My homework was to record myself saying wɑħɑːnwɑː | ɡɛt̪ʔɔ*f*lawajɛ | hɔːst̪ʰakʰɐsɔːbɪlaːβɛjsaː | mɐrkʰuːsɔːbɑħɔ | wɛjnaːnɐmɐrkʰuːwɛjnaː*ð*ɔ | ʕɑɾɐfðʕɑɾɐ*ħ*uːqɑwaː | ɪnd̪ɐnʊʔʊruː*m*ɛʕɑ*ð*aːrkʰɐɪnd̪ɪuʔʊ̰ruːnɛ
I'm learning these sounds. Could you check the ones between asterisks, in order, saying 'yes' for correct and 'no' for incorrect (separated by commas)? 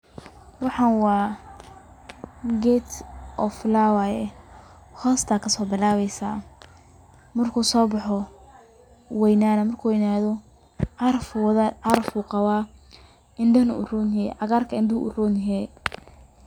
yes, yes, no, no, no